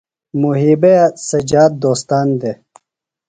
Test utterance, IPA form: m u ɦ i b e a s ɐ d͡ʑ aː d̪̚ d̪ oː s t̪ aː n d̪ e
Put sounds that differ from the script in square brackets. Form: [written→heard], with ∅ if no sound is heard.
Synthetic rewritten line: m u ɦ i b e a s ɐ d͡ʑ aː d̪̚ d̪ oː s t̪ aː n d̪ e